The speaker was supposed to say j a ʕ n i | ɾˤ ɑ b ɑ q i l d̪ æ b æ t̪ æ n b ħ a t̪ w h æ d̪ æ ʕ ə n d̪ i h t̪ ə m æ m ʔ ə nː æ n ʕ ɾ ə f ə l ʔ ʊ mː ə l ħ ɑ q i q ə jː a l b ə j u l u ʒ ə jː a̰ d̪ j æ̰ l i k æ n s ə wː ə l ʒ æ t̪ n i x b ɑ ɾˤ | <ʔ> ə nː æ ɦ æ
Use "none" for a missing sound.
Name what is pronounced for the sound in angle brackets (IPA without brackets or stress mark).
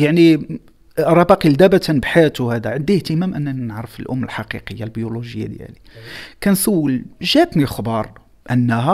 ʔ